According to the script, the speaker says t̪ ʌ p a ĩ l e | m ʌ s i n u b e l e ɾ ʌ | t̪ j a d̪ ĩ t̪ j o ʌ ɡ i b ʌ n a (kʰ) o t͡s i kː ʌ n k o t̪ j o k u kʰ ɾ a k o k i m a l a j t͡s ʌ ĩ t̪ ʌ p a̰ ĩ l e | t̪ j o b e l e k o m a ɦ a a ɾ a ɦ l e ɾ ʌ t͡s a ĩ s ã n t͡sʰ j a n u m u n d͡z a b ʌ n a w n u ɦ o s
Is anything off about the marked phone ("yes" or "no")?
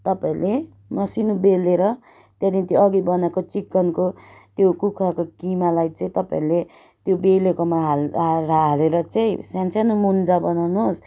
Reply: yes